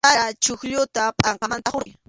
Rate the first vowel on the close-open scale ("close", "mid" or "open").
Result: open